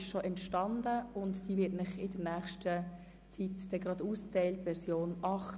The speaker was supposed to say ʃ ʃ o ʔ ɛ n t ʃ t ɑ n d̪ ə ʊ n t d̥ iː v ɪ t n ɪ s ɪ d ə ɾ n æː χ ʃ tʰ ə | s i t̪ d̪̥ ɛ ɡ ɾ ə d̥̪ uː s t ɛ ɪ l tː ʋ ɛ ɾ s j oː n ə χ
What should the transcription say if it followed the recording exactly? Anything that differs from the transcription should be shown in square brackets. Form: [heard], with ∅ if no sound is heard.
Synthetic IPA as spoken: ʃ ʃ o ʔ ɛ n t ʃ t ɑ n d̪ ə ʊ n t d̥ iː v ɪ t n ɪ [χ] ɪ d ə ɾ n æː χ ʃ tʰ ə | [t͡s] i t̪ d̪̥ ɛ ɡ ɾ [ɑ] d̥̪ uː s t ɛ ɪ l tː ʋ ɛ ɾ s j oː n [ɑ] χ

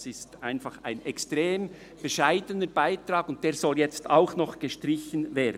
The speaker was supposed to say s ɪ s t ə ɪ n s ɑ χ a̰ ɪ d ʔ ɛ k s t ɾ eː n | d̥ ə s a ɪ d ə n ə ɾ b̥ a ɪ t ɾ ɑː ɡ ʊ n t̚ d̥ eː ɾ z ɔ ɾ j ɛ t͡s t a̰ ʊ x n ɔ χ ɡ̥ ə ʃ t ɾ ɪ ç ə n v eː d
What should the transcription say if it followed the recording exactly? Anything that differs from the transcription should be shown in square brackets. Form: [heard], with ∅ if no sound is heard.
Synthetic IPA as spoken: s ɪ s t [a] ɪ n [f] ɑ χ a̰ ɪ [n] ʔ ɛ k s t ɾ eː [m] | [b̥] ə [ʃ] a ɪ d ə n ə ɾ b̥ a ɪ t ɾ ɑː ɡ ʊ n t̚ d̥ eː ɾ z ɔ [l] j ɛ t͡s t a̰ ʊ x n ɔ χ ɡ̥ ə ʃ t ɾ ɪ ç ə n v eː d

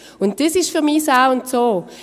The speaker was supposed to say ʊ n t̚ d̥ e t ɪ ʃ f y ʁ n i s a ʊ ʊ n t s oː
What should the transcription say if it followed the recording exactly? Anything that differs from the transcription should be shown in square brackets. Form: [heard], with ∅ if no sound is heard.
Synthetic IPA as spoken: ʊ n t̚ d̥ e [s] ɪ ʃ f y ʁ [m] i s a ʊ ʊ n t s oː

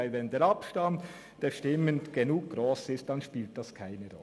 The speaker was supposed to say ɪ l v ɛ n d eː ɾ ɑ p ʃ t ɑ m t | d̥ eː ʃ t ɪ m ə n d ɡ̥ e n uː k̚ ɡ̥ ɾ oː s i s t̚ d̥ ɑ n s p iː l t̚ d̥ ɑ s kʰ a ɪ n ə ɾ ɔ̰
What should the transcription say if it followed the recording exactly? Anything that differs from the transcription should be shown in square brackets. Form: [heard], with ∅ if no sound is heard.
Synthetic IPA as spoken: ɪ l v ɛ n d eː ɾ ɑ p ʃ t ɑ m t | d̥ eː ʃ t ɪ m ə n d ɡ̥ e n uː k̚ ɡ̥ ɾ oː s [ɪ] s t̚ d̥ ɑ n [ʃ] p iː l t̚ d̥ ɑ s kʰ a ɪ n ə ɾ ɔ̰

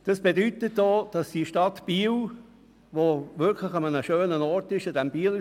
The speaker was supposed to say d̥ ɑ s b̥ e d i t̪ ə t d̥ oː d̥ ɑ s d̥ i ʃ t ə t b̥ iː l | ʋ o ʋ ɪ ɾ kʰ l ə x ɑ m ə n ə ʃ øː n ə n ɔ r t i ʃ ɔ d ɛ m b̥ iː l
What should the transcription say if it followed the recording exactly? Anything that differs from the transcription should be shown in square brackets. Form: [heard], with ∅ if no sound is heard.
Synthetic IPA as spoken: d̥ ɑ s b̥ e d [y] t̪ ə t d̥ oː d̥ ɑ s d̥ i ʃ t [ɑ] t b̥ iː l | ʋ o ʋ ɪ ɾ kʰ l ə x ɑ m ə n ə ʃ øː n ə n ɔ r t [ɪ] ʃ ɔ d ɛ m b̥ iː l

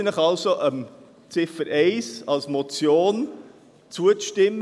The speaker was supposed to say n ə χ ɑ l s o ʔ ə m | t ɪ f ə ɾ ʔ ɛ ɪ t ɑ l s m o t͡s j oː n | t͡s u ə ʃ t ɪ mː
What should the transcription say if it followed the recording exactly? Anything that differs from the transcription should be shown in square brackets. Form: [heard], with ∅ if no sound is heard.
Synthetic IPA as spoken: n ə χ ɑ l s o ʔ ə m | [t͡s] ɪ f ə ɾ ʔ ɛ ɪ [s] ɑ l s m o t͡s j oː n | t͡s u ə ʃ t ɪ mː

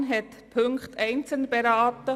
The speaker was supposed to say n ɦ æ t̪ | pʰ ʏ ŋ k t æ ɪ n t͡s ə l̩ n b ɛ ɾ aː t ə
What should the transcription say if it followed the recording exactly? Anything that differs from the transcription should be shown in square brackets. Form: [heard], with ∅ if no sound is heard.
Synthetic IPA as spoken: n ɦ [ɛ] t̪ | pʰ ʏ ŋ k t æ ɪ n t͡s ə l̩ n b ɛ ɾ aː t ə

